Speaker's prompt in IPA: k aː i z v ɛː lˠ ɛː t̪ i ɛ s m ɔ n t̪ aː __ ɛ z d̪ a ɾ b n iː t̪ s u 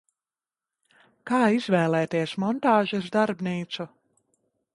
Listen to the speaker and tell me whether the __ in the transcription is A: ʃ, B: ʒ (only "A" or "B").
B